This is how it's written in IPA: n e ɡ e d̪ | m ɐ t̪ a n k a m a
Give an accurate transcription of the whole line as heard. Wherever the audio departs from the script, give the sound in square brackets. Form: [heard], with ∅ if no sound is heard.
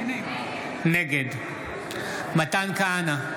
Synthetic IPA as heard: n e ɡ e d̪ | m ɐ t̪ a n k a [n] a